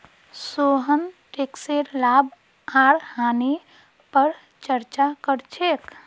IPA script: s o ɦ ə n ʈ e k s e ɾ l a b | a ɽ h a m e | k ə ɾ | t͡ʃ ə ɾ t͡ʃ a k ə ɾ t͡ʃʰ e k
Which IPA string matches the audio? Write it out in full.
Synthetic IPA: s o ɦ ə n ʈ e k s e ɾ l a b | a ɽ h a n e | p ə ɾ | t͡ʃ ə ɾ t͡ʃ a k ə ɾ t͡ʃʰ e k